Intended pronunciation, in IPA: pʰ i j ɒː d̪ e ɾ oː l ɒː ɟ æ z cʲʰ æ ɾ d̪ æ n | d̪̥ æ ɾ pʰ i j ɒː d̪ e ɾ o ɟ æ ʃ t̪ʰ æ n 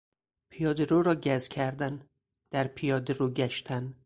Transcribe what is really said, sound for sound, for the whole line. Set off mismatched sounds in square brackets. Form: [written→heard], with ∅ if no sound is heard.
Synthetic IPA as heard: pʰ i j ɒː d̪ e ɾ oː [l→ɾ] ɒː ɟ æ z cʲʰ æ ɾ d̪ æ n | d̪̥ æ ɾ pʰ i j ɒː d̪ e ɾ o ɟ æ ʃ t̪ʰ æ n